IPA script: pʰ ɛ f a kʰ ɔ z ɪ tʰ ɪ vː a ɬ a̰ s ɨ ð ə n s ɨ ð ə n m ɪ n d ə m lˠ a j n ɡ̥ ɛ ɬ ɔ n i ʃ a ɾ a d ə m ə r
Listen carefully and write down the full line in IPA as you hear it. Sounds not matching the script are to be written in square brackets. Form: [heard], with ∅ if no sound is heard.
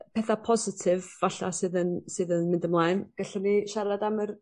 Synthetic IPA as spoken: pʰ ɛ [θ] a [pʰ] ɔ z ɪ tʰ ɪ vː a ɬ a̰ s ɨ ð ə n s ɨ ð ə n m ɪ n d ə m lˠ a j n ɡ̥ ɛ ɬ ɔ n i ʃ a ɾ a d [a] m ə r